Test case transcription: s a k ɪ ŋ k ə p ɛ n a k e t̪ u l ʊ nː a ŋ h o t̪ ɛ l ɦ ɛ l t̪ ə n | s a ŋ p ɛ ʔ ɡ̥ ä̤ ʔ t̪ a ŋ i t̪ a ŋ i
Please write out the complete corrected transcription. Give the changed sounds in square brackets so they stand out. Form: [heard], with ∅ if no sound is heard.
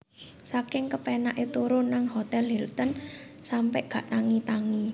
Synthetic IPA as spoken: s a k ɪ ŋ k ə p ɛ n a [ʔ] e t̪ u [ɾ] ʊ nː a ŋ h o t̪ ɛ l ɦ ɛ l t̪ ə n | s a [m] p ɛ ʔ ɡ̥ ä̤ ʔ t̪ a ŋ i t̪ a ŋ i